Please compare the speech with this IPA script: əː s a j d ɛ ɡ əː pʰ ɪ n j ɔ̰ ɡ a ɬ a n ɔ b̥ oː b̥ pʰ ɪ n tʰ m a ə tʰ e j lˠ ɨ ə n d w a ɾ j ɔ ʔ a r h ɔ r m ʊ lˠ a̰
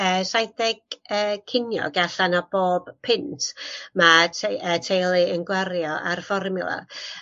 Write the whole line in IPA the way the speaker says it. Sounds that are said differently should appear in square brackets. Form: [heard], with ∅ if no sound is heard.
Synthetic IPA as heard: əː s a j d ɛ ɡ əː [kʰ] ɪ n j ɔ̰ ɡ a ɬ a n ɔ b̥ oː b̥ pʰ ɪ n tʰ m a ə tʰ e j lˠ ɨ ə n [ɡ] w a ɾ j ɔ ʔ a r [f] ɔ r m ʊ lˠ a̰